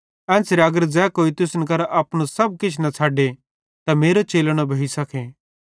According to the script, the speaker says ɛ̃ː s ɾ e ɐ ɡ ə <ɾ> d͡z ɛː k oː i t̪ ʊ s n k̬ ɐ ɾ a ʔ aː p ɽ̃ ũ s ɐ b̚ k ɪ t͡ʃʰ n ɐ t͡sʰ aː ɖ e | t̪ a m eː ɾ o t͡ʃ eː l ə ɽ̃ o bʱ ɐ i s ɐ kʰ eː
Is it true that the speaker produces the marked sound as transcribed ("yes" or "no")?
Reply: yes